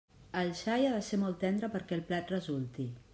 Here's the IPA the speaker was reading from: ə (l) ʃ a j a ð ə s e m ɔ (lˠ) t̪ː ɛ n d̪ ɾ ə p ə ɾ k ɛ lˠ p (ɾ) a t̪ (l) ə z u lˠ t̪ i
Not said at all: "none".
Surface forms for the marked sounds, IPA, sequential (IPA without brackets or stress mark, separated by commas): l, lˠ, l, r